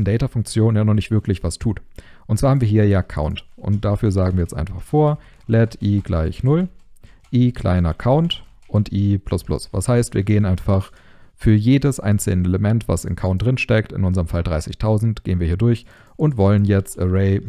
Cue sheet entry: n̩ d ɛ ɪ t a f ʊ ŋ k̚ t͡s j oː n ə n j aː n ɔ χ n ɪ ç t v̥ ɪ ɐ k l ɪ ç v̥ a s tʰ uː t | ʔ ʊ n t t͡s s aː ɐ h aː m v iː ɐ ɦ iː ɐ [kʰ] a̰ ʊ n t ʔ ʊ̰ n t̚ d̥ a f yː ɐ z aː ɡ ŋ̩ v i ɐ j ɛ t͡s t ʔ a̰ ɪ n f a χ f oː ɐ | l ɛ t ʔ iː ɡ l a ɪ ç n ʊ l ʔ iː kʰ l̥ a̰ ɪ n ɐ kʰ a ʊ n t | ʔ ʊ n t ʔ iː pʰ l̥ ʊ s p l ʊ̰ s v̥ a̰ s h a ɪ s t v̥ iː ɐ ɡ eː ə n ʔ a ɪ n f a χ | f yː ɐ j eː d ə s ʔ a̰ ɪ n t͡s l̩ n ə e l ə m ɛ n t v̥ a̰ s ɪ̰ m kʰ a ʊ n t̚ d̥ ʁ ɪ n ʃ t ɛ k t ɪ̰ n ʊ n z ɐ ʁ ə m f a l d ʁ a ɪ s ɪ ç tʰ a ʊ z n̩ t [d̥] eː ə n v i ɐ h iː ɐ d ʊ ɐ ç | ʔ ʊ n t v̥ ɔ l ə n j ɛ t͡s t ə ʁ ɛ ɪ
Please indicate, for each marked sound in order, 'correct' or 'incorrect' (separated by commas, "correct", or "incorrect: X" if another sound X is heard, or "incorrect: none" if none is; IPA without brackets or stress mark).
correct, incorrect: ɡ̥